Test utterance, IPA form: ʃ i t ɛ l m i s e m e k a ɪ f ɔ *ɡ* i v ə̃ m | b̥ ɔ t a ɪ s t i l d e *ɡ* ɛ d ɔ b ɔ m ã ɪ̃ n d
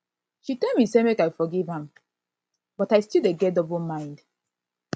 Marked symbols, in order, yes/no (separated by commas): yes, yes